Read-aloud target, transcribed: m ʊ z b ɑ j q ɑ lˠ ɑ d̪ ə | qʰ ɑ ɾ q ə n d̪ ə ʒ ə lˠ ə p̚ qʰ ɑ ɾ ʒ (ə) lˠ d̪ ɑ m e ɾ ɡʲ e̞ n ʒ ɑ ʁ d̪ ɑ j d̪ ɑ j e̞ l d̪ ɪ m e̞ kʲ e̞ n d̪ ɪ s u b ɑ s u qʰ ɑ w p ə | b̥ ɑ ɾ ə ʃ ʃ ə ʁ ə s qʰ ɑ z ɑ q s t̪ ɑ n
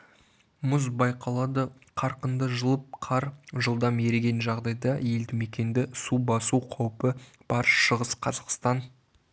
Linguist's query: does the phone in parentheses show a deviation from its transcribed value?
no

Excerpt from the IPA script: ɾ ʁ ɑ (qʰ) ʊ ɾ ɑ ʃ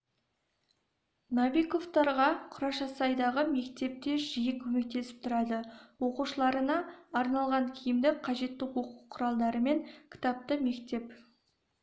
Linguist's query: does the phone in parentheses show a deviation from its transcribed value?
no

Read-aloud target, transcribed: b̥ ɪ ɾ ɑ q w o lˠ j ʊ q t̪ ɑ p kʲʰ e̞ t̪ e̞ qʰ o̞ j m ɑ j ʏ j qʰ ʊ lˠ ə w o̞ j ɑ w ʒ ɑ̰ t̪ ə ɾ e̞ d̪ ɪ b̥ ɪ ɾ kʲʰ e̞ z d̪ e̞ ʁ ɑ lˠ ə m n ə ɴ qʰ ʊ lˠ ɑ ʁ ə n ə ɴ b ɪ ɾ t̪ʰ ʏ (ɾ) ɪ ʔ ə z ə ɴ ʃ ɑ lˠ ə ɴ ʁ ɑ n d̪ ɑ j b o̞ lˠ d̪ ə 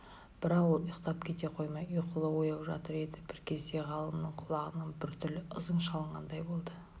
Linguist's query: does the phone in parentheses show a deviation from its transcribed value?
yes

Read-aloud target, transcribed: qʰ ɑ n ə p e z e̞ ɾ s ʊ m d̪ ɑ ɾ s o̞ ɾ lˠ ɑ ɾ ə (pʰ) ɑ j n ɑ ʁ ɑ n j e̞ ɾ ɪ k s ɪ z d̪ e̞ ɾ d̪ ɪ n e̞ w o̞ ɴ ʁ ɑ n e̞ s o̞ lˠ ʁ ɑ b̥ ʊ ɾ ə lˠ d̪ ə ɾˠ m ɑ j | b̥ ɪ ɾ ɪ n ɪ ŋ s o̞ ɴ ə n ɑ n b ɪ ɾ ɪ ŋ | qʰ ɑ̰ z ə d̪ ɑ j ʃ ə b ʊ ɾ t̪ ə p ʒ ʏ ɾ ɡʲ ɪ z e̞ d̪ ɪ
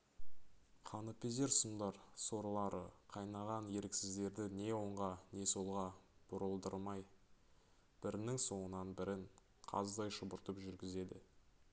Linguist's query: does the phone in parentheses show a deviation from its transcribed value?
yes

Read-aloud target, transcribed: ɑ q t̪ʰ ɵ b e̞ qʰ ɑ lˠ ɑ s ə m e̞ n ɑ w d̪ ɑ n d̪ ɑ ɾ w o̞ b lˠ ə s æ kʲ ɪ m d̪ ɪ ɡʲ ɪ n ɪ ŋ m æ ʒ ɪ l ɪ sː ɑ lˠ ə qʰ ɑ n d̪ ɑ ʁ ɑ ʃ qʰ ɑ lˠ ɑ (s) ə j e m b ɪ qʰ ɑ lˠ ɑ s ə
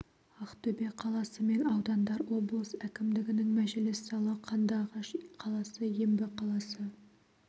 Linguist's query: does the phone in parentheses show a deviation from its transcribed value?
no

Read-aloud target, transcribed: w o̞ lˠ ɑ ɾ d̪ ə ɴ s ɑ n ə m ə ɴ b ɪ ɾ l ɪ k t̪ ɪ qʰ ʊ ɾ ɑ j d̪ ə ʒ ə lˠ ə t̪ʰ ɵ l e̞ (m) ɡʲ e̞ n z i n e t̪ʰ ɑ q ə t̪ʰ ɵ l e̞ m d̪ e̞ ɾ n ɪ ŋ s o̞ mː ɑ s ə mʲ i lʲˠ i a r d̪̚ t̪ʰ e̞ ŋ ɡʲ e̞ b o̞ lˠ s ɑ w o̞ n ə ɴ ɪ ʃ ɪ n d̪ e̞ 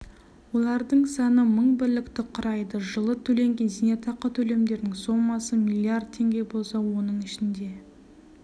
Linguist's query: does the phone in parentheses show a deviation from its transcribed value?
yes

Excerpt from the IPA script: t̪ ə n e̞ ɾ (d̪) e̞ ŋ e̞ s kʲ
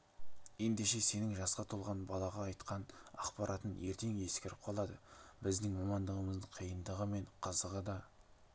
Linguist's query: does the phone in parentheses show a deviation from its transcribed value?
yes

